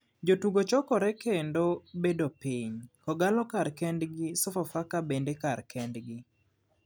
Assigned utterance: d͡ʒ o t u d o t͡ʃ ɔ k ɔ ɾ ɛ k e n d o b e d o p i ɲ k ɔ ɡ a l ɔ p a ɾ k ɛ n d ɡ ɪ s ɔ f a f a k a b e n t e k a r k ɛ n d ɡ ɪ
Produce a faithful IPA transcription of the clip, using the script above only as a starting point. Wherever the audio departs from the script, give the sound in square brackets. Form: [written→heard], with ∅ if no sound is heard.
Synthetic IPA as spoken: d͡ʒ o t u [d→ɡ] o t͡ʃ ɔ k ɔ ɾ ɛ k e n d o b e d o p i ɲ k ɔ ɡ a l ɔ [p→k] a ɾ k ɛ n d ɡ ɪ s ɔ f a f a k a b e n [t→d] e k a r k ɛ n d ɡ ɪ